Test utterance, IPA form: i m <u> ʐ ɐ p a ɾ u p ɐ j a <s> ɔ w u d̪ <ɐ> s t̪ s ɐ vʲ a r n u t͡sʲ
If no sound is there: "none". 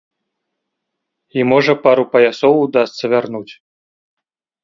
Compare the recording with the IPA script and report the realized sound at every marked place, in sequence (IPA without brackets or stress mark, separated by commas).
ɔ, s, a